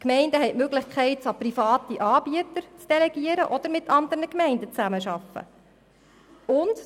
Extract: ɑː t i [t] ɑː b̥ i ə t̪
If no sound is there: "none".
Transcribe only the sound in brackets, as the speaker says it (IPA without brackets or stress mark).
ʔ